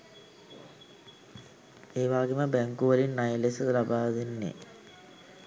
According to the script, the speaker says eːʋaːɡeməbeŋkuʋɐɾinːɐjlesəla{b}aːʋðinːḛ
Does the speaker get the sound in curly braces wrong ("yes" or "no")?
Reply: no